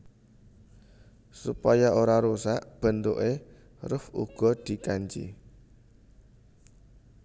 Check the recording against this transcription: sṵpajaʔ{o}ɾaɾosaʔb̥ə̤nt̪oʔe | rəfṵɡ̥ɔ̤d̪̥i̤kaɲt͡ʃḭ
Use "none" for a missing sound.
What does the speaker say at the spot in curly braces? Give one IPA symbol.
o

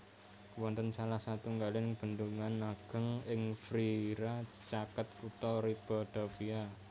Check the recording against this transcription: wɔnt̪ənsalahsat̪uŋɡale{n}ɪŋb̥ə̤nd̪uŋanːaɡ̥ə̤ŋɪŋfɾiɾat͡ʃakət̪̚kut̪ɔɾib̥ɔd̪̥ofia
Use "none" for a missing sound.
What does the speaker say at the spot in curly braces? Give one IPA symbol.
n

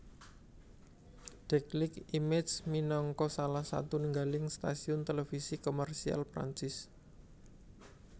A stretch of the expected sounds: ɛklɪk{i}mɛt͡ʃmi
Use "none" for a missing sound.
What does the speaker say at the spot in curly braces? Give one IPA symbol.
i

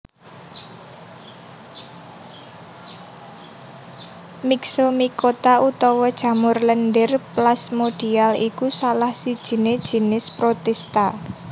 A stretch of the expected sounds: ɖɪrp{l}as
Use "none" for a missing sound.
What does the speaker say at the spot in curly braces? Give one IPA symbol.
l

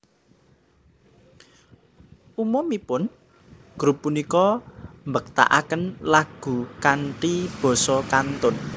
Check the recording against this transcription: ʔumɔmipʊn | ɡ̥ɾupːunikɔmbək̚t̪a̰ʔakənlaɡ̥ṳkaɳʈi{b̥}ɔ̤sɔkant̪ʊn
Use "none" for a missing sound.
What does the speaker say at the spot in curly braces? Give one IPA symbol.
b̥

